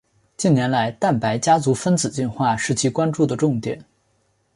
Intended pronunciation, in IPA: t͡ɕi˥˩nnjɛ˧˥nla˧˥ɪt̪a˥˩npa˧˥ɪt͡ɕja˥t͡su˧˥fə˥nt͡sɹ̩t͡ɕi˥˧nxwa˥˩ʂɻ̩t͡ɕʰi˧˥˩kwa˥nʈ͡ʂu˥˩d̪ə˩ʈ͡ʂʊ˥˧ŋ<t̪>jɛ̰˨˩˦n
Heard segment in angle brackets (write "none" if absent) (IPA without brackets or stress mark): t̪